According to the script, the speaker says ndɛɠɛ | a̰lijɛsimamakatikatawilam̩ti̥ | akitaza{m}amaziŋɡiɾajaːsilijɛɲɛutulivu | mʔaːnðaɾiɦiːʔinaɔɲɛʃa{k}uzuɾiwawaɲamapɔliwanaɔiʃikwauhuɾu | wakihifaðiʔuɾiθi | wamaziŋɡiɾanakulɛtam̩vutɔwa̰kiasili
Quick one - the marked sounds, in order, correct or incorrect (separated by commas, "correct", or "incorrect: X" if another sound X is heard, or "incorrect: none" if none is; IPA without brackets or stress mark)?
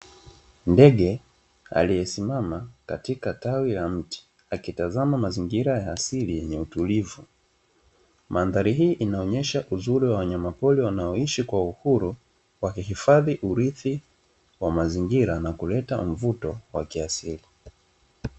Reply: correct, incorrect: ʔ